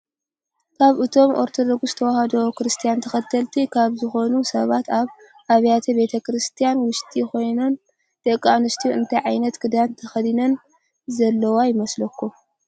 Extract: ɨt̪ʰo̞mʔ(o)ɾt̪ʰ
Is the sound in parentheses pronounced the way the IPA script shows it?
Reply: yes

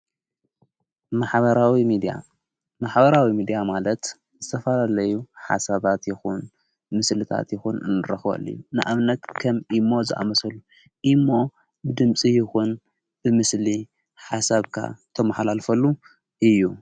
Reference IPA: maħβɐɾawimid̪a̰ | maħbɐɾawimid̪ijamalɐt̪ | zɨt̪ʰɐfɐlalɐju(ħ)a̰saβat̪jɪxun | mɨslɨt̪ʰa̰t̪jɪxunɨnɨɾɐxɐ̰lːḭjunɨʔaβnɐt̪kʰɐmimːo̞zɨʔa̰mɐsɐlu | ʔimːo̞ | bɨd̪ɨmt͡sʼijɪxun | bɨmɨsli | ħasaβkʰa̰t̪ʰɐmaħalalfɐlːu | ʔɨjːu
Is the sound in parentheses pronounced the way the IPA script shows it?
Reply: yes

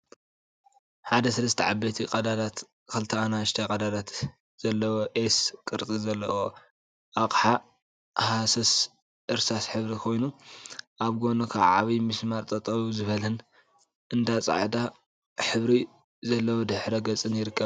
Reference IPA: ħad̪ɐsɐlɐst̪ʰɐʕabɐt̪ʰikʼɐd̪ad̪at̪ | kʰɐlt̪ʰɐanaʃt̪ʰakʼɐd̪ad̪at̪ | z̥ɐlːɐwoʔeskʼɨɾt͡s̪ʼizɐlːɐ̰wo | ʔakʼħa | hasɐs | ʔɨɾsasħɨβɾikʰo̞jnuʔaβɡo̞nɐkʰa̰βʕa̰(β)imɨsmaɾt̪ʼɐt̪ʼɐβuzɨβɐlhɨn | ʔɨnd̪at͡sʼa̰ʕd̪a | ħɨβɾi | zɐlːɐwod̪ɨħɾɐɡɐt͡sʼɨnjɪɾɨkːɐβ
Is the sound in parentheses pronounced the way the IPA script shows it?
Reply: yes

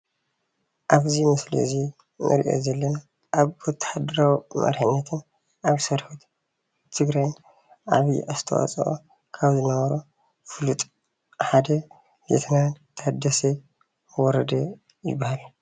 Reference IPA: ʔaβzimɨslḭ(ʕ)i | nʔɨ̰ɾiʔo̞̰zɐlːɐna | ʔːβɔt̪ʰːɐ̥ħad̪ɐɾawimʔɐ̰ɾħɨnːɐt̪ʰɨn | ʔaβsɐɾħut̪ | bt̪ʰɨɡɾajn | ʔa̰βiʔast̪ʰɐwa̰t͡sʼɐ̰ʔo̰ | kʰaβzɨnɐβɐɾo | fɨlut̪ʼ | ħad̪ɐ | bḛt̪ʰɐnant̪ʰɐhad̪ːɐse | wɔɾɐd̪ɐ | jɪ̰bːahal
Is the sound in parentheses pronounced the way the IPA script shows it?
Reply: no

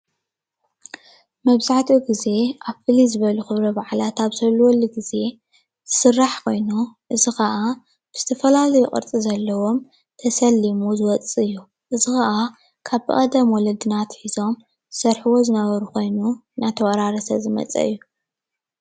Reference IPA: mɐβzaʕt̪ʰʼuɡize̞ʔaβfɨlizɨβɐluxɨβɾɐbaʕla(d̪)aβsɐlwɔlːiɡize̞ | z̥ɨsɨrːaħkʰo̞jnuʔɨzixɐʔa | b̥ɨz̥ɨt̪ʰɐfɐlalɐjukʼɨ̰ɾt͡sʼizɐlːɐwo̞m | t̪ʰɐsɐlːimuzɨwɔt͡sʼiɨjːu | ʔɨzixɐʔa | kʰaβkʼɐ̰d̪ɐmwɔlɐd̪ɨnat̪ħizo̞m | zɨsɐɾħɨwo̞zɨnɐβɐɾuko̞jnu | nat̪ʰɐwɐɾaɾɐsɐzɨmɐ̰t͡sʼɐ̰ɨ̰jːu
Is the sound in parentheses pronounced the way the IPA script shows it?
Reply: no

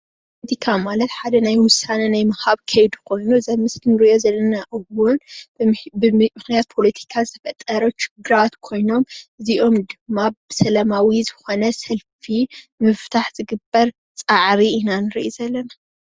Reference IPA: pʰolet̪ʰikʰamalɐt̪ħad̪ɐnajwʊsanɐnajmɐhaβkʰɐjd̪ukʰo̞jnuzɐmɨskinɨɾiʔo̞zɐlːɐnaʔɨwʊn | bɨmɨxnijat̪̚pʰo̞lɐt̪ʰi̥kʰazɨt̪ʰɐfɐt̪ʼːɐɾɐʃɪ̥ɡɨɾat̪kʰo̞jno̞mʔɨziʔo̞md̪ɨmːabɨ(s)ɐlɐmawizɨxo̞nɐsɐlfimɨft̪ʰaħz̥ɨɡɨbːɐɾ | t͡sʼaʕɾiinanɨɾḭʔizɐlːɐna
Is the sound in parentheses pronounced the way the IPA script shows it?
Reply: yes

